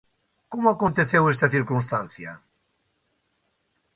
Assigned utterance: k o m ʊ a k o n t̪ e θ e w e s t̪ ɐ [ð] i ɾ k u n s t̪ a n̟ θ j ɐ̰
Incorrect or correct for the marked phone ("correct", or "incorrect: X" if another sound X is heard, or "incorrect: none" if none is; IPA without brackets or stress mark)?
incorrect: θ